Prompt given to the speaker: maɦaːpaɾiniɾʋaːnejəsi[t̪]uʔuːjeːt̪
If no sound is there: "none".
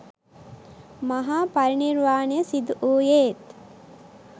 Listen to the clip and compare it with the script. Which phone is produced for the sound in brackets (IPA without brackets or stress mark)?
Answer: d̪